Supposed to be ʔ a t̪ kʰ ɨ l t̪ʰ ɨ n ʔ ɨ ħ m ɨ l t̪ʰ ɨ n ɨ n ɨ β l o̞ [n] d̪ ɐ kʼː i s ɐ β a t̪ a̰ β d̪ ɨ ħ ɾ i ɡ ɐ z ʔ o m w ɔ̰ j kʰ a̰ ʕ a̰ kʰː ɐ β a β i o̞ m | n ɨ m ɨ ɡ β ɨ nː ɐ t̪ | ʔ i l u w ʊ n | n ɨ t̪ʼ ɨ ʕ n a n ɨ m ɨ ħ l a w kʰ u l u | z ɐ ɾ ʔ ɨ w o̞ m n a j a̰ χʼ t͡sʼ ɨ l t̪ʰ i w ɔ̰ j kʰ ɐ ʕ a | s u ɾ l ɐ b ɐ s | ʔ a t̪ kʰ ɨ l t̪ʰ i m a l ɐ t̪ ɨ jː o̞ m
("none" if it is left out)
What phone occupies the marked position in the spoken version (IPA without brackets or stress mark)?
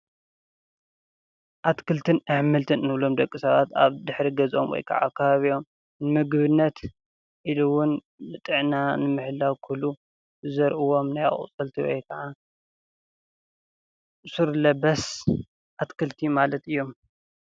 m